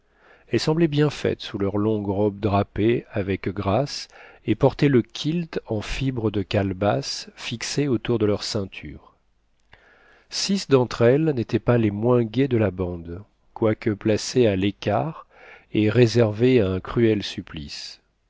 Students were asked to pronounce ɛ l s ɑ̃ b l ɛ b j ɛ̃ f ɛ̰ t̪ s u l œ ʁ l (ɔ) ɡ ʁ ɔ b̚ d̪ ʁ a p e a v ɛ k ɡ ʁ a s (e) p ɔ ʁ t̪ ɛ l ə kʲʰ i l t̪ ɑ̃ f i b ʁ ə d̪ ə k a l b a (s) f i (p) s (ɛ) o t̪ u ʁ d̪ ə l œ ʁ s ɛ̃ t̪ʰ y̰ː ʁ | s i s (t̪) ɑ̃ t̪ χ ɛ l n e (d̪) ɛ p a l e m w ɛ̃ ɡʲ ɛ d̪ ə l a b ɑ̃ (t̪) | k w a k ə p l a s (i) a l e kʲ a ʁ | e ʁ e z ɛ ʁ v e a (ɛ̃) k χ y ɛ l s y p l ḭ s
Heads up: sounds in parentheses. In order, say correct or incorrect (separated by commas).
incorrect, correct, correct, incorrect, incorrect, incorrect, incorrect, incorrect, incorrect, correct